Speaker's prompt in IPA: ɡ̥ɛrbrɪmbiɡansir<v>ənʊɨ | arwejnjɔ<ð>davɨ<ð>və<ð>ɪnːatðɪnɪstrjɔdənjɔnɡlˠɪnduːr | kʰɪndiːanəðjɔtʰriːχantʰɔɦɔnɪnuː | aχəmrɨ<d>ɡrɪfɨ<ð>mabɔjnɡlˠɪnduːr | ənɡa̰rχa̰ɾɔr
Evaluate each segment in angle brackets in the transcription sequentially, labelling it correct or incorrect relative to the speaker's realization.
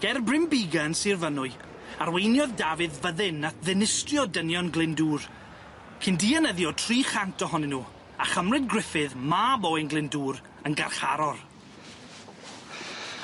correct, correct, correct, correct, correct, correct

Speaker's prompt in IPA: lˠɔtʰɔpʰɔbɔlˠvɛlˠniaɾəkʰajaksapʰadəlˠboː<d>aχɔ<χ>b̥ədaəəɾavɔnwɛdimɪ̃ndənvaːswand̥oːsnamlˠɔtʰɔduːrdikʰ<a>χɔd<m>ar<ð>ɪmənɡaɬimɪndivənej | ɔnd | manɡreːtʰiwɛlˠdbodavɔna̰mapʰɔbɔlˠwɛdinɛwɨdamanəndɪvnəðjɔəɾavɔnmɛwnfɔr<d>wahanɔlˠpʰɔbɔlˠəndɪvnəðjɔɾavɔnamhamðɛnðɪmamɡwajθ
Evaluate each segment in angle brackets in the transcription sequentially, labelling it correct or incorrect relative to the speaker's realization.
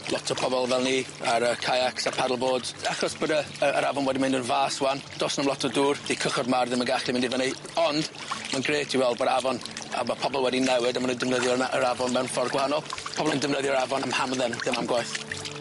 correct, incorrect: s, incorrect: ə, correct, correct, incorrect: ɡ

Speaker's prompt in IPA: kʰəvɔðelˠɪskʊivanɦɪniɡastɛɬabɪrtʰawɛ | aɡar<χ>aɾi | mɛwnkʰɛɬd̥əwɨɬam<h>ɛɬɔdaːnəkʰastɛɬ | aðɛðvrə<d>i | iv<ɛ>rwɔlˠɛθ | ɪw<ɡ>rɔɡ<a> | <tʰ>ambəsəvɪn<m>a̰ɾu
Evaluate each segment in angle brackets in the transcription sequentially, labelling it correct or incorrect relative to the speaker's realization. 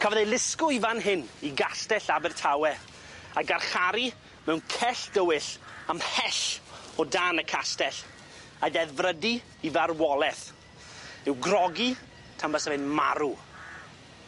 correct, correct, correct, incorrect: a, correct, incorrect: i, correct, correct

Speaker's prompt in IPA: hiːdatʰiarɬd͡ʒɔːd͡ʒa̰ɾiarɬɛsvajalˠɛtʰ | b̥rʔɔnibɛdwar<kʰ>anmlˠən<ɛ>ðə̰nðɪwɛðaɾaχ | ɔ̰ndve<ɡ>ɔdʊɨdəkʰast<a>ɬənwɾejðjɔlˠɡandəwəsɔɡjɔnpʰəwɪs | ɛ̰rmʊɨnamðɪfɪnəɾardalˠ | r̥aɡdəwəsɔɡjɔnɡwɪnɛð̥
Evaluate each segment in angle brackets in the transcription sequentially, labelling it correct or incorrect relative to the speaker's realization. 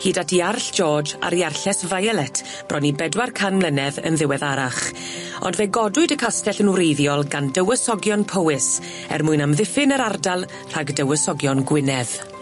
correct, correct, correct, incorrect: ɛ

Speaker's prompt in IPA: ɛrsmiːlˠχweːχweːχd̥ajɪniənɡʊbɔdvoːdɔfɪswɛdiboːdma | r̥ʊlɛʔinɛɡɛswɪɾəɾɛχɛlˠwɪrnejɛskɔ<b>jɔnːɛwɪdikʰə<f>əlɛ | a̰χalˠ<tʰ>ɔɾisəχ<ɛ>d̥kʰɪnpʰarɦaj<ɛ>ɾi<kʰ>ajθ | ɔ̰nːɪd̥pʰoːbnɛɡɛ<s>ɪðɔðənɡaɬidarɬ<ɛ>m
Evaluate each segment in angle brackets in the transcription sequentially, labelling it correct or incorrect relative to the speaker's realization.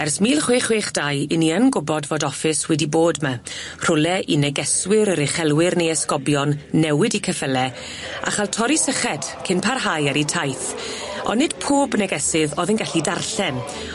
correct, correct, correct, correct, incorrect: a, incorrect: tʰ, correct, correct

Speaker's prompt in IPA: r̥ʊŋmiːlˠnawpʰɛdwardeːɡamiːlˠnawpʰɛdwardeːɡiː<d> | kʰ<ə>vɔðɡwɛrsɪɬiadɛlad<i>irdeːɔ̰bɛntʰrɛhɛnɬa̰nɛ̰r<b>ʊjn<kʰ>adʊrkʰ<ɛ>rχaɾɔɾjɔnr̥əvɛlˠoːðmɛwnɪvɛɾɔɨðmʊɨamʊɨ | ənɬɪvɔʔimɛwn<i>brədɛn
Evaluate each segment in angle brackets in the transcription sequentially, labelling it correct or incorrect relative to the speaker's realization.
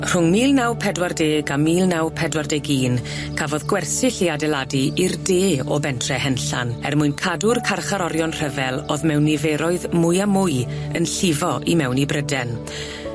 incorrect: n, incorrect: a, correct, incorrect: m, correct, incorrect: a, correct

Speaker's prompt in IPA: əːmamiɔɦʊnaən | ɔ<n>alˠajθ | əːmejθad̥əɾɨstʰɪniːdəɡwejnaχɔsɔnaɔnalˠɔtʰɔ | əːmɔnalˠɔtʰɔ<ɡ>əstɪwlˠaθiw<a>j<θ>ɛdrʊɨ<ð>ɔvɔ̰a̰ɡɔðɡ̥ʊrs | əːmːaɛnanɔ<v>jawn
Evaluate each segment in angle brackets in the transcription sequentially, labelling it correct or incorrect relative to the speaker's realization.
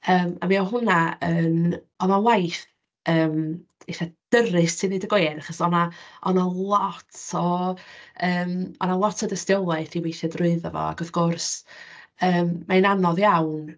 correct, incorrect: d, incorrect: e, correct, correct, incorrect: ð

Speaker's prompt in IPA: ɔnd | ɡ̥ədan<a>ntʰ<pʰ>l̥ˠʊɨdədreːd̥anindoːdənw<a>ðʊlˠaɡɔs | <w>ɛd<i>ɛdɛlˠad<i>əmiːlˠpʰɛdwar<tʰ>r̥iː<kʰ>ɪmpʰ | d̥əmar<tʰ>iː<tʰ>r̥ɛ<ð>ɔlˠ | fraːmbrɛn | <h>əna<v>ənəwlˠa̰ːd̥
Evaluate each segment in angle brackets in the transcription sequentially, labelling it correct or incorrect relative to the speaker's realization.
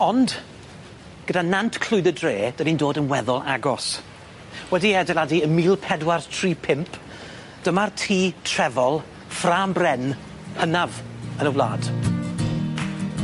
correct, incorrect: kʰ, incorrect: ɛ, correct, correct, correct, correct, incorrect: pʰ, correct, correct, incorrect: v, correct, correct

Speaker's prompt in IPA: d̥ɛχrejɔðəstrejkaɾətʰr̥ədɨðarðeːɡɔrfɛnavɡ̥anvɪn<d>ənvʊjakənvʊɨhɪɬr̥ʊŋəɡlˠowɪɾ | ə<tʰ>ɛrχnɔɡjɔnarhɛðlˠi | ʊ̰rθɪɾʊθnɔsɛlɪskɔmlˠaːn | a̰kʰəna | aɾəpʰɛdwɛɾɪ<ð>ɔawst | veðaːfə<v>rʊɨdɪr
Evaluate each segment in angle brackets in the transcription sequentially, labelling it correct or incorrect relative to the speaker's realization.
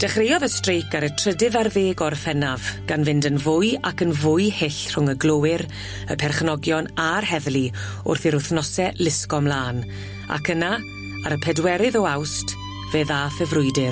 correct, incorrect: pʰ, correct, correct

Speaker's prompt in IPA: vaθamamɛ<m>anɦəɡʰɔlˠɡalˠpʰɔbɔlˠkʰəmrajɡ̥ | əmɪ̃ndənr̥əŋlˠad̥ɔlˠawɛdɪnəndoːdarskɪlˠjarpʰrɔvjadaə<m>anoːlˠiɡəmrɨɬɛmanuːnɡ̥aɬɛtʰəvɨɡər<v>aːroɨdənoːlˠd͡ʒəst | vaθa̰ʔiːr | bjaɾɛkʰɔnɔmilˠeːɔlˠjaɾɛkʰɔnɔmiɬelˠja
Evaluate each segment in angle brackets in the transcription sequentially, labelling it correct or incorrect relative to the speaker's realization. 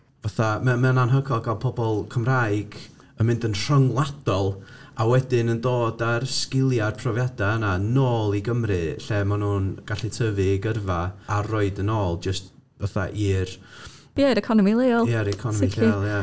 incorrect: n, incorrect: n, correct

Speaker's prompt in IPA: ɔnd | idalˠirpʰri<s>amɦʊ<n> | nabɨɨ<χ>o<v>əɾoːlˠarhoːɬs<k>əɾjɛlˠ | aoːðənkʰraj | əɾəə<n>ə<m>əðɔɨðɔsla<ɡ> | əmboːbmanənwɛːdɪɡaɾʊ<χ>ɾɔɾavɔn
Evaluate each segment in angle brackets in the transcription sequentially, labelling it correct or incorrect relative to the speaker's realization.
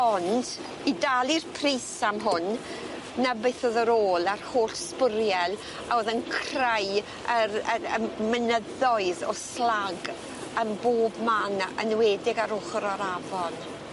correct, correct, incorrect: θ, incorrect: ð, incorrect: p, incorrect: m, incorrect: n, correct, correct

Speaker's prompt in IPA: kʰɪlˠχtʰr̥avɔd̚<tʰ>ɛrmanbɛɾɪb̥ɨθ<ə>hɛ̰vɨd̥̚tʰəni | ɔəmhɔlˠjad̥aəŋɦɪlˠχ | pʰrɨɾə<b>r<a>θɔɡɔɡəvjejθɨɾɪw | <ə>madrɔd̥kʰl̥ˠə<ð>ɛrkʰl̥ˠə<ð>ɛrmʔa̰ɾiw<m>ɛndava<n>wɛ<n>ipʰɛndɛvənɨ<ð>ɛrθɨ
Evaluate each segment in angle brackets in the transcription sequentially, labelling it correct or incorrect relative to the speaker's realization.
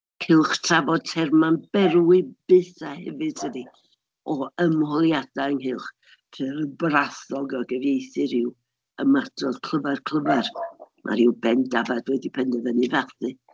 correct, incorrect: a, correct, correct, correct, incorrect: v, incorrect: v, incorrect: b, incorrect: d, incorrect: d, incorrect: v

